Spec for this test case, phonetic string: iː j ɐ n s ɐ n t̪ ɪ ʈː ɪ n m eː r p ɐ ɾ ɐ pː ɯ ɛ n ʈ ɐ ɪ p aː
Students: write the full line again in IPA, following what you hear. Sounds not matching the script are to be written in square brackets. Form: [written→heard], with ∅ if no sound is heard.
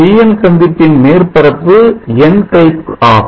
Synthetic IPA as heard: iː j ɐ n s ɐ n [t̪→d̪] ɪ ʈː ɪ n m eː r p ɐ ɾ ɐ pː ɯ ɛ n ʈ ɐ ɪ p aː